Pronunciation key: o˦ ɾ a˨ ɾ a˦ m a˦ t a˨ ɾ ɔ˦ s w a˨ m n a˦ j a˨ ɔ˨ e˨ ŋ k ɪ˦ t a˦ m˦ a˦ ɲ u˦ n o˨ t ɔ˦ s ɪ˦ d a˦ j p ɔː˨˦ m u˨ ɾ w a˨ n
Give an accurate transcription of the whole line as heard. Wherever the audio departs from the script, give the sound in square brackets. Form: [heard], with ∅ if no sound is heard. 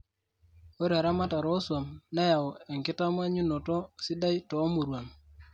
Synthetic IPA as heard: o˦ ɾ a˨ ɾ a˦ m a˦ t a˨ ɾ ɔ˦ s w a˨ m n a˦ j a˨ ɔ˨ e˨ ŋ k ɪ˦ t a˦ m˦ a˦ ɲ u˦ n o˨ t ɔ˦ s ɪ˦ d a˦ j [t] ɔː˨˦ m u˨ ɾ w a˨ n